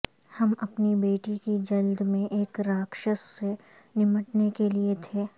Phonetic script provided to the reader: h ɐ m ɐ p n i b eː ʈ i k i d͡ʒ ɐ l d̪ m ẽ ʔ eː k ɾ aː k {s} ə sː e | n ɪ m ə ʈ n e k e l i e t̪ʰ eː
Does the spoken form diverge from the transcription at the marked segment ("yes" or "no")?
yes